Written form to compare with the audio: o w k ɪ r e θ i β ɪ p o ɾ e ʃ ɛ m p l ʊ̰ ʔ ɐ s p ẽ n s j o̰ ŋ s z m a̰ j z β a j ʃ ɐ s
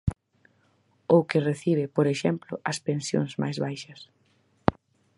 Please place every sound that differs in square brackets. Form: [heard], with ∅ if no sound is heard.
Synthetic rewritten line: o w k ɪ r e θ i β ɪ p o ɾ e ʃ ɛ m p l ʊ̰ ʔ ɐ s p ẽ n s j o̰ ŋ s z m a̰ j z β a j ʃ ɐ s